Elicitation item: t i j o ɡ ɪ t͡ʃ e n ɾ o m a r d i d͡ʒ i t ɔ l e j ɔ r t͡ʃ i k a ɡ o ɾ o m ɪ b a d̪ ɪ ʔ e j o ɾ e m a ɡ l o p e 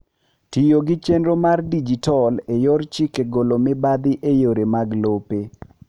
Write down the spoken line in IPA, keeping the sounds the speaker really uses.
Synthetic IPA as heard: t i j o ɡ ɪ t͡ʃ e n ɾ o m a r d i d͡ʒ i t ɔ l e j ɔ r t͡ʃ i k e ɡ o l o m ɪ b a d̪ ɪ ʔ e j o ɾ e m a ɡ l o p e